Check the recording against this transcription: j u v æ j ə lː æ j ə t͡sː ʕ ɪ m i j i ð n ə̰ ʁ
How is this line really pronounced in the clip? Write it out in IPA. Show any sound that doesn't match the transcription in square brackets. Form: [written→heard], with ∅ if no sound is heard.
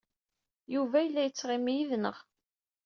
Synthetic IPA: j u v æ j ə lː æ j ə t͡sː [ʕ→ʁ] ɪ m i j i ð n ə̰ ʁ